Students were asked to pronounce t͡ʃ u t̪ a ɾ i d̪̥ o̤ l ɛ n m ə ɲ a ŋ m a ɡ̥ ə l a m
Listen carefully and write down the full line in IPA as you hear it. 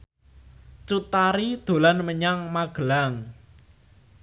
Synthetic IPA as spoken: t͡ʃ u t̪ a ɾ i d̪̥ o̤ l a n m ə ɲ a ŋ m a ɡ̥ ə l a ŋ